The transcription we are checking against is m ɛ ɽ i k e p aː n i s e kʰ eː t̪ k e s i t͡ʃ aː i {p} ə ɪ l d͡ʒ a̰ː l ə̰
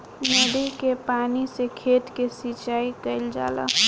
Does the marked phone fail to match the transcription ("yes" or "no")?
yes